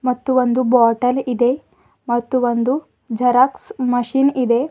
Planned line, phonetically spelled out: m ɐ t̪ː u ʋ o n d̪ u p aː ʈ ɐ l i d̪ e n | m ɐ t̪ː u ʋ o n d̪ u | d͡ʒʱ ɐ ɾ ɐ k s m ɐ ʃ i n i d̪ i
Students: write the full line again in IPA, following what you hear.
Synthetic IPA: m ɐ t̪ː u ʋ o n d̪ u b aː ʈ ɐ l i d̪ e | m ɐ t̪ː u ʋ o n d̪ u | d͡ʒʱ ɐ ɾ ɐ k s m ɐ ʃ i n i d̪ e